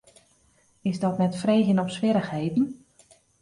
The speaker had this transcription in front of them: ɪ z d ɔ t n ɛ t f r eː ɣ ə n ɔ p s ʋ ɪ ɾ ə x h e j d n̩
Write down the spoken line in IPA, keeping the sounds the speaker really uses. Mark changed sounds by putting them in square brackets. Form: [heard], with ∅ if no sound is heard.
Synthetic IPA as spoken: ɪ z d ɔ t n ɛ t f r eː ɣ ə n ɔ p s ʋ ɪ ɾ ə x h e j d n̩